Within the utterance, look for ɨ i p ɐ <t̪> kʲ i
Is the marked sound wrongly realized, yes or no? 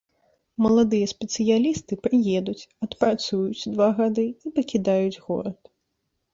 yes